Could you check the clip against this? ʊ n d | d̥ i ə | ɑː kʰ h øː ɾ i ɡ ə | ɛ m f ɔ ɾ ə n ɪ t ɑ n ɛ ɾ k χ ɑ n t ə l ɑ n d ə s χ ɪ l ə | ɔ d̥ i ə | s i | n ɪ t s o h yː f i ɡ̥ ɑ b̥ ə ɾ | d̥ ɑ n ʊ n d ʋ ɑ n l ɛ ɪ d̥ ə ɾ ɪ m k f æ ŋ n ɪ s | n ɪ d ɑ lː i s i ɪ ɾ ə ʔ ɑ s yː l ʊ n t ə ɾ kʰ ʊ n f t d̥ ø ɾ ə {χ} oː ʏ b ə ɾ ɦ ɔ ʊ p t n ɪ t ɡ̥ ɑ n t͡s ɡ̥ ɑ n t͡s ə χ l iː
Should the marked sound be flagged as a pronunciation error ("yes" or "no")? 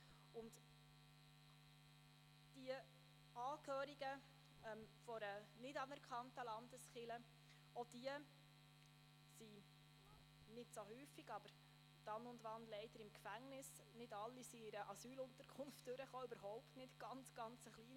no